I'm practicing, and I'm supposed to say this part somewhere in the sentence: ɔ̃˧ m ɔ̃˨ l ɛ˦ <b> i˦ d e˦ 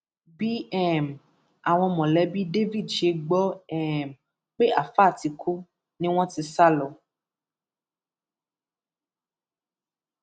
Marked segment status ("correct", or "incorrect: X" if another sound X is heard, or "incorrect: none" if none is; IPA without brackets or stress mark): correct